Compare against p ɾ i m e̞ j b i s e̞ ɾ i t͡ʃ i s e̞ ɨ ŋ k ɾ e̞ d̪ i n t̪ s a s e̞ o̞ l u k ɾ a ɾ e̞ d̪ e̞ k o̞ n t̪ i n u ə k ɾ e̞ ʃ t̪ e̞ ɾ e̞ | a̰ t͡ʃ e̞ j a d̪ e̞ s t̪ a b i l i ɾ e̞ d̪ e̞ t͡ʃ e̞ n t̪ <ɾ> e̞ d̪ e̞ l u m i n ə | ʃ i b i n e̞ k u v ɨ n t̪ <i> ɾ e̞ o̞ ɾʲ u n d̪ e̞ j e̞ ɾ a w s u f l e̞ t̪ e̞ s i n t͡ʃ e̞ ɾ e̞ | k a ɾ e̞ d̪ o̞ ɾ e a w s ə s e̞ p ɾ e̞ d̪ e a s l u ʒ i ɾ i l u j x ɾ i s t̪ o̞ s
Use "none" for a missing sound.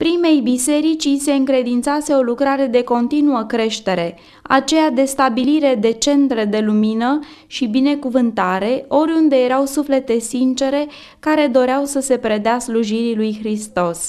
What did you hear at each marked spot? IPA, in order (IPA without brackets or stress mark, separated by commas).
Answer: ɾ, a